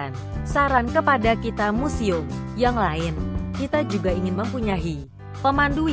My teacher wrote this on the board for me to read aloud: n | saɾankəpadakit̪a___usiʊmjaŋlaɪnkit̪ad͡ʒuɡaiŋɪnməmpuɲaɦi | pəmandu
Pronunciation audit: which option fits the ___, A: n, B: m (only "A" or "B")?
B